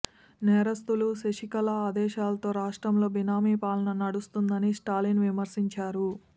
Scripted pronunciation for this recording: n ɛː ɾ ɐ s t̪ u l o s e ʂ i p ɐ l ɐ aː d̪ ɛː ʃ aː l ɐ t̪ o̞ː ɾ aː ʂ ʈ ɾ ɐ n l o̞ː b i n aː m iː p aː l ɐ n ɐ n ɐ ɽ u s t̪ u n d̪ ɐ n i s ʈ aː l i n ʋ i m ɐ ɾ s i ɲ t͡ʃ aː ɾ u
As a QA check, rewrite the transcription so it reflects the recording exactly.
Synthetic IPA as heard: n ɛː ɾ ɐ s t̪ u l u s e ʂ i k ɐ l ɐ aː d̪ ɛː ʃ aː l ɐ t̪ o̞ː ɾ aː ʂ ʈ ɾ ɐ m l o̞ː b i n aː m iː p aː l ɐ n ɐ n ɐ ɽ u s t̪ u n d̪ ɐ n i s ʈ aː l i n ʋ i m ɐ ɾ s i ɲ t͡ʃ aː ɾ u